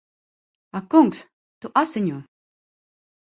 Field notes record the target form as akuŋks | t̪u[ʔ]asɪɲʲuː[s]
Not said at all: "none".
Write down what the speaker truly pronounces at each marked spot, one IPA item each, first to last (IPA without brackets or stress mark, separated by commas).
ʔ, none